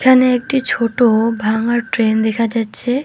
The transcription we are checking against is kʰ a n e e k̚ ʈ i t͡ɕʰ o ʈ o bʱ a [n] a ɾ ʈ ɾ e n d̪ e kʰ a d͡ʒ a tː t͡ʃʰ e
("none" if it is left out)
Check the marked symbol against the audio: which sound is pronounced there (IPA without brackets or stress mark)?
ŋ